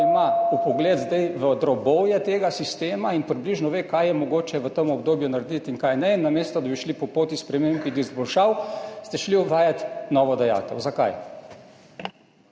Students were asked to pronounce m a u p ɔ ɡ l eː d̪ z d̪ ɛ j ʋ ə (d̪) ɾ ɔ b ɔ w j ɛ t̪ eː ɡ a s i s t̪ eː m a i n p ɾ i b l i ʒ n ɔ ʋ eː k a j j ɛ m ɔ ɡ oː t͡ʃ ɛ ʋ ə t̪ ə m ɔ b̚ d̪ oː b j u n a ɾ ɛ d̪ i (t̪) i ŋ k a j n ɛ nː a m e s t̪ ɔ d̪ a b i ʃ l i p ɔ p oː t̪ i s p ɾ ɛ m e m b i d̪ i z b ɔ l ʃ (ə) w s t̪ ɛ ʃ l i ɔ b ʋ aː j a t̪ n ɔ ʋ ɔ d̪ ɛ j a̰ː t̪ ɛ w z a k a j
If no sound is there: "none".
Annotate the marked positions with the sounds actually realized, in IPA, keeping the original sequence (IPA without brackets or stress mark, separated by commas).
d̪, t̪, a